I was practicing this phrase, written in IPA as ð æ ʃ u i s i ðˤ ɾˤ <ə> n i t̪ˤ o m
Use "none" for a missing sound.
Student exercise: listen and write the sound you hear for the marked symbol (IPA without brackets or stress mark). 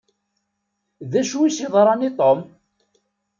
ɑ